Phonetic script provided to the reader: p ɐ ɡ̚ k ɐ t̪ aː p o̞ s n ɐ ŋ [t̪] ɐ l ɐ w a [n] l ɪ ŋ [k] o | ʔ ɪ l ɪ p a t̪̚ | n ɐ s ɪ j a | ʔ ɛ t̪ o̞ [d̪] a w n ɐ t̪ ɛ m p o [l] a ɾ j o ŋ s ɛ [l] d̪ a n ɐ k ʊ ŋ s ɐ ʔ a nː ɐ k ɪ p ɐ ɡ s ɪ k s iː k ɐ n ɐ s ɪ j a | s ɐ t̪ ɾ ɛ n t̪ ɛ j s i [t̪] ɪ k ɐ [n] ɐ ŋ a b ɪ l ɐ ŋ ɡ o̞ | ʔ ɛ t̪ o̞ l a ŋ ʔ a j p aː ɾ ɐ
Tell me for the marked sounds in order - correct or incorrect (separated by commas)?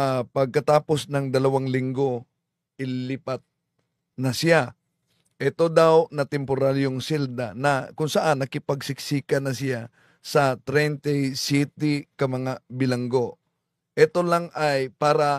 incorrect, incorrect, incorrect, correct, incorrect, correct, correct, incorrect